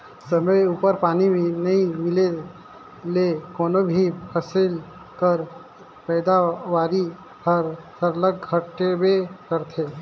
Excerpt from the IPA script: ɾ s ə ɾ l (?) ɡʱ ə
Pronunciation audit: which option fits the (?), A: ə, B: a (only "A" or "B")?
A